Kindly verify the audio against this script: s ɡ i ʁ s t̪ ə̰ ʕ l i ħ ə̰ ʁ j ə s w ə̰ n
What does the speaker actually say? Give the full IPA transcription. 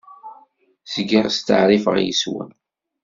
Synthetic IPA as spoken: s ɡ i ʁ s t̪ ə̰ ʕ ɾ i f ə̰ ʁ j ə s w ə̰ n